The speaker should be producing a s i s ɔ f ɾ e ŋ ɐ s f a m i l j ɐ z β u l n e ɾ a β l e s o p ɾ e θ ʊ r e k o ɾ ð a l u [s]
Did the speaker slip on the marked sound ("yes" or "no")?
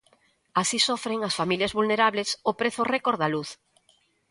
yes